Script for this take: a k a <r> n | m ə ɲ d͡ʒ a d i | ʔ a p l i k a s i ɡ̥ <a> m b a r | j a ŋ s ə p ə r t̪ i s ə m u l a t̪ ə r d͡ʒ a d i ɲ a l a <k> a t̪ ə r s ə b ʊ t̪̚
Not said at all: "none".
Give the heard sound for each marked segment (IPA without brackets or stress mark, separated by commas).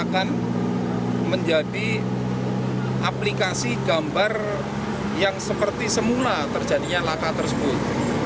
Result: none, a, k